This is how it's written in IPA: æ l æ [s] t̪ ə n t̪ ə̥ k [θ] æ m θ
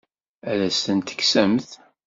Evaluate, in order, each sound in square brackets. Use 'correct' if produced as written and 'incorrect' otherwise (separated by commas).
correct, incorrect